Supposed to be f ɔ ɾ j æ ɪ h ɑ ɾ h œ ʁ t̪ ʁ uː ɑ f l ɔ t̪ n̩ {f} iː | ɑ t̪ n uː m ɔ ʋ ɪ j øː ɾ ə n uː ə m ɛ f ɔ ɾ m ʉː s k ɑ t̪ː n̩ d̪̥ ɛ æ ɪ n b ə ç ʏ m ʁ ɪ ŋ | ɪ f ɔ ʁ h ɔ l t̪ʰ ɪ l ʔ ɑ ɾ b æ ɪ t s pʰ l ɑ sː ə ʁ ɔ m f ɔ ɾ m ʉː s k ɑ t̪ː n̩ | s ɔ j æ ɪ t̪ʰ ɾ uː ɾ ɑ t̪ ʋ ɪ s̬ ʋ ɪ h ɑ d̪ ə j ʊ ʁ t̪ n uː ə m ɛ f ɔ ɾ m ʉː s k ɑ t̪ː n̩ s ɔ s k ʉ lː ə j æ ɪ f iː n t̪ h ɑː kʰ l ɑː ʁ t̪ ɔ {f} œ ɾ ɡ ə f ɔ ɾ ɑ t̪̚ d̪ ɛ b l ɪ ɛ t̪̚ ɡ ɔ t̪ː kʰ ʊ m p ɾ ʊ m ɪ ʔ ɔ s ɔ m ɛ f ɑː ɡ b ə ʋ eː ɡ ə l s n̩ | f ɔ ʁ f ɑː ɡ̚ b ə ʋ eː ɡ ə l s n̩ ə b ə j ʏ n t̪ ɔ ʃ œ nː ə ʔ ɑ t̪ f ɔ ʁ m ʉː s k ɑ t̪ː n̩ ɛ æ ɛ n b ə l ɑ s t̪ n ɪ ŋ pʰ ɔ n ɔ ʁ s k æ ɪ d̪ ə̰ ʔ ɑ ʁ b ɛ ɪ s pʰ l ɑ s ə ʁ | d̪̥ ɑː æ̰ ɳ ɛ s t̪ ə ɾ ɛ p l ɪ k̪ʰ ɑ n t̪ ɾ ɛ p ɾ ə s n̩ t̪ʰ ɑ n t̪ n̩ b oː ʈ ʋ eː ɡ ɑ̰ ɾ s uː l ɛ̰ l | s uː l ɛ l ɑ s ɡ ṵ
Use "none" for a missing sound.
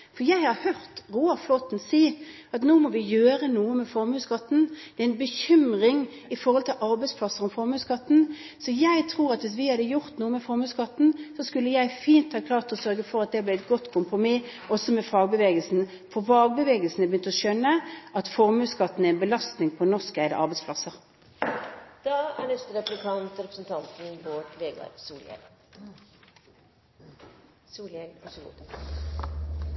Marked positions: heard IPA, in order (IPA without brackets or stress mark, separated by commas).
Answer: s, s